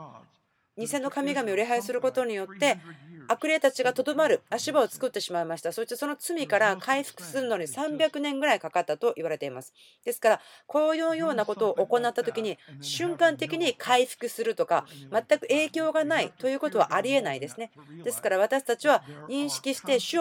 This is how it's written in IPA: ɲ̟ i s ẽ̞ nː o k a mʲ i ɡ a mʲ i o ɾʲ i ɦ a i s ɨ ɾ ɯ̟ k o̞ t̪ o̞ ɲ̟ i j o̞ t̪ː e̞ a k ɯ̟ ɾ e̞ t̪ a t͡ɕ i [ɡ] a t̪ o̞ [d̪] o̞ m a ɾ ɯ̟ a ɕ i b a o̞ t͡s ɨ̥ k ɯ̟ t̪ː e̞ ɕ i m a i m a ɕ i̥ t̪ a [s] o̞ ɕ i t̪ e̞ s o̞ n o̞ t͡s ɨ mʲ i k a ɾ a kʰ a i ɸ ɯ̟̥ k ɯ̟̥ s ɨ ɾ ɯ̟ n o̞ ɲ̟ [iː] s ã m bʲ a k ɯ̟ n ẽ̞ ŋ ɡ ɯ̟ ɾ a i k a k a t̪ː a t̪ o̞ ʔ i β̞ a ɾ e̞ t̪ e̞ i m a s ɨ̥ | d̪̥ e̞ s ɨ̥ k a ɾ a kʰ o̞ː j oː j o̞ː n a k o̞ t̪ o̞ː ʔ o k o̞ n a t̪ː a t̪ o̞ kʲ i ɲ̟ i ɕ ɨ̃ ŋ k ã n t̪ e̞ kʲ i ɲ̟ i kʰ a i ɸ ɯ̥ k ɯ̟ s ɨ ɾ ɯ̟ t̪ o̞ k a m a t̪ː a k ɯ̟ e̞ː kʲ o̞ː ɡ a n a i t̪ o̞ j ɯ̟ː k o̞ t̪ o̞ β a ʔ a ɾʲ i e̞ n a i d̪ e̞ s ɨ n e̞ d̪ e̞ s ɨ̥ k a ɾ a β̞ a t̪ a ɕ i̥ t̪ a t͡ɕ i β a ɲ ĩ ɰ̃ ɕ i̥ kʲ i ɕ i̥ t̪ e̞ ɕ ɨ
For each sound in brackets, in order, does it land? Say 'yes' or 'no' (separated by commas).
yes, yes, yes, no